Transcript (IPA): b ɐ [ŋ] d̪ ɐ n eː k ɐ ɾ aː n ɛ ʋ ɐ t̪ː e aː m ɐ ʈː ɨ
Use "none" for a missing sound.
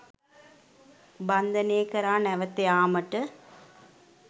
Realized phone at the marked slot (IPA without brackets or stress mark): n